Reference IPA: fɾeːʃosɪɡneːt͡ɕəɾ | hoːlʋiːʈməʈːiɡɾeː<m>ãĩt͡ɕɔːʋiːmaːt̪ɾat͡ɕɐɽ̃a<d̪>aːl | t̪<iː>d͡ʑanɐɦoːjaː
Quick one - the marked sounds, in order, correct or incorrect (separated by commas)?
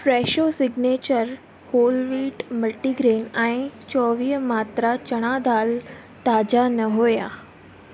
incorrect, correct, incorrect